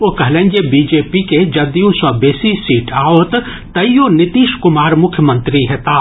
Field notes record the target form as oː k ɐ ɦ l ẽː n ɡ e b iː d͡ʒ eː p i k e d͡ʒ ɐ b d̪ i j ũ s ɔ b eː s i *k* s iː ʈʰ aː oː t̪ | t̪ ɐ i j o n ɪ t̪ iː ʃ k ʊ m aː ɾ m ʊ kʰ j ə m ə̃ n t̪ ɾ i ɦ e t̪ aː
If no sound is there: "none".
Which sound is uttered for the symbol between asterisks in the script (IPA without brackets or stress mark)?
none